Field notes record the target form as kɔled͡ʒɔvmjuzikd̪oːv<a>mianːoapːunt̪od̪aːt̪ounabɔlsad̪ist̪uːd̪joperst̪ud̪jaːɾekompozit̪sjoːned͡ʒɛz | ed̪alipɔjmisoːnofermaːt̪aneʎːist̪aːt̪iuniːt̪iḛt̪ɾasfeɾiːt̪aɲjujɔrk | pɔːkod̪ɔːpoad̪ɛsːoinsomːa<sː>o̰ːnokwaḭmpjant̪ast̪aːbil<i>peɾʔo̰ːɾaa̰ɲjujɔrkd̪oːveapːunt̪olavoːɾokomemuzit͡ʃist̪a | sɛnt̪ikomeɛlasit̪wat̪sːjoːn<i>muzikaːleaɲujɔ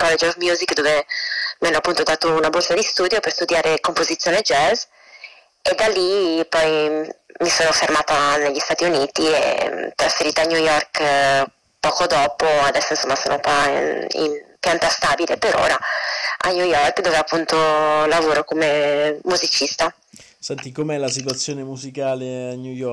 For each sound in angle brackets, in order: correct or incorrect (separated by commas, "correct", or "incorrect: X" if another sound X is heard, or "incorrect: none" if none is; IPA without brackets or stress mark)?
incorrect: e, incorrect: s, incorrect: e, incorrect: e